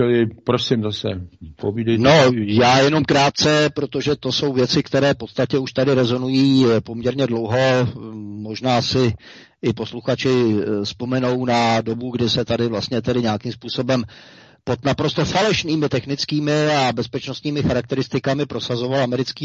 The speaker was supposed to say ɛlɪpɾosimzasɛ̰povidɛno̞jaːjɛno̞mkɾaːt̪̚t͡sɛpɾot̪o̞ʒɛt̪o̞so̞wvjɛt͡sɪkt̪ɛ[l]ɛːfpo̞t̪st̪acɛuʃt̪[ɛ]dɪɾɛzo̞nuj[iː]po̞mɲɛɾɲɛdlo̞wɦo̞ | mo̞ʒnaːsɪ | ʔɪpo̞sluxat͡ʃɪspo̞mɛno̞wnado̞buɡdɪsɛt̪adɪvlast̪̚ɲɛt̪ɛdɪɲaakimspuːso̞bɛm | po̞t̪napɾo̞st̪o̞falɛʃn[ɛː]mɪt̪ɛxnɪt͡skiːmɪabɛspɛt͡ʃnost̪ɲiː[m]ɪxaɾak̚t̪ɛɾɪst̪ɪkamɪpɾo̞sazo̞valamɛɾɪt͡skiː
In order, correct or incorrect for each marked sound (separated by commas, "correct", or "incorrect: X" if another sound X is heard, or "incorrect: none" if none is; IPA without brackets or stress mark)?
incorrect: ɾ, incorrect: a, correct, incorrect: iː, correct